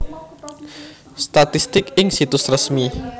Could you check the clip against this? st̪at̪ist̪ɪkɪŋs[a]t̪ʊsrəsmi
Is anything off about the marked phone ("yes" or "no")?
yes